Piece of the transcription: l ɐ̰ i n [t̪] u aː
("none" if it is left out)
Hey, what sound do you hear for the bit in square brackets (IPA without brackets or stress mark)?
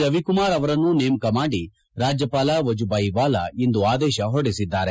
d̪